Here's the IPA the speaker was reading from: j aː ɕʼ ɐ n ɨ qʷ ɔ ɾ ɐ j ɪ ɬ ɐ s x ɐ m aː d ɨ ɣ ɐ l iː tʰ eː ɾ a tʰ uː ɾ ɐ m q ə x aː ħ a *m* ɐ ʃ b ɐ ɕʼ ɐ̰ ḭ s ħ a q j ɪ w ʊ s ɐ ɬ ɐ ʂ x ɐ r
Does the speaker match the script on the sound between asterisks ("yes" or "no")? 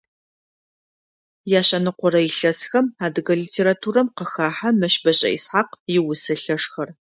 yes